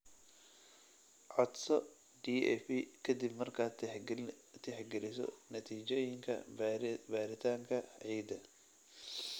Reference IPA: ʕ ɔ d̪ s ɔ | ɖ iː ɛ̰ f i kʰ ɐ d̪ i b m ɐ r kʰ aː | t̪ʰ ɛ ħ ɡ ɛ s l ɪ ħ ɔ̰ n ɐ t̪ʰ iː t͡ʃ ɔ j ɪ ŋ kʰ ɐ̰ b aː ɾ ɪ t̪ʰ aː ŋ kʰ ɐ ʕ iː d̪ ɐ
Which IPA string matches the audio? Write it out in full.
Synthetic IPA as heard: ʕ ɔ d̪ s ɔ | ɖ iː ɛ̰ f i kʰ ɐ d̪ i b m ɐ r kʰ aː | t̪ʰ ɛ ħ ɡ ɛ l ɪ s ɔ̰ n ɐ t̪ʰ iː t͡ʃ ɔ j ɪ ŋ kʰ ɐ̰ b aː ɾ ɪ t̪ʰ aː ŋ kʰ ɐ ʕ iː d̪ ɐ